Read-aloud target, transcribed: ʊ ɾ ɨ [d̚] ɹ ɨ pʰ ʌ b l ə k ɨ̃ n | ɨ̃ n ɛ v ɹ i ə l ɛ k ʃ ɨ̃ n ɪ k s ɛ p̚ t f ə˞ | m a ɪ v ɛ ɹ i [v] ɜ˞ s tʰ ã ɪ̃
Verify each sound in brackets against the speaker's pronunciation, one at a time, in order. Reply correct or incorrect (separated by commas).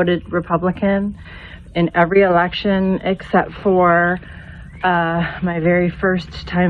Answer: correct, incorrect